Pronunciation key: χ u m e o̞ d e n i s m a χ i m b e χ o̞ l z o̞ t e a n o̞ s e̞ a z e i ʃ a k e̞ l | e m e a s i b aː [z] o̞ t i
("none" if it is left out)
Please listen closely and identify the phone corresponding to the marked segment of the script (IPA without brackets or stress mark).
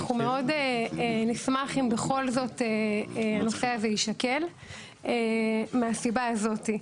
z